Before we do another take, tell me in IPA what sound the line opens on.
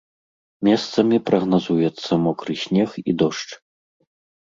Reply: mʲ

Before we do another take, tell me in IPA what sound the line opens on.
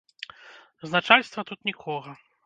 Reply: z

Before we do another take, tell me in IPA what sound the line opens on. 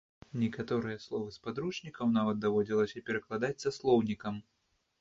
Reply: nʲ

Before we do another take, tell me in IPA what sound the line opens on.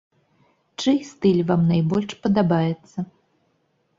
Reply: t͡ʂ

